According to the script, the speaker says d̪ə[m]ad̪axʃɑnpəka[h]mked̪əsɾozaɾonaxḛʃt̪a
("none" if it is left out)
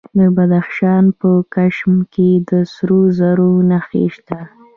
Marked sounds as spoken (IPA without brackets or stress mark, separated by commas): b, ʃ